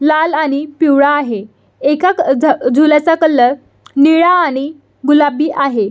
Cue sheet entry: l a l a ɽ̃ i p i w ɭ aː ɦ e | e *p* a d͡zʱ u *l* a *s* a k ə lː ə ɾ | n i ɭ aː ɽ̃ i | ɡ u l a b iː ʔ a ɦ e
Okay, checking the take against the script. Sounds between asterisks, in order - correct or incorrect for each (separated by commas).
incorrect, correct, incorrect